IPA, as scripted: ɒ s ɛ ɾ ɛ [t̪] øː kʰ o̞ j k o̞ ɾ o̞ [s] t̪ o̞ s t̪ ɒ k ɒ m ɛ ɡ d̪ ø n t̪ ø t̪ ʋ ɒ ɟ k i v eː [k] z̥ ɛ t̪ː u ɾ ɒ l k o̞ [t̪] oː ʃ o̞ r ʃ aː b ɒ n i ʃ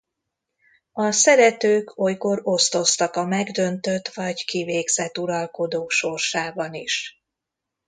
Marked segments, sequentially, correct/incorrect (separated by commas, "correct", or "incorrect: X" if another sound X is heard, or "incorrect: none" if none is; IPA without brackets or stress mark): correct, correct, incorrect: ɡ, incorrect: d̪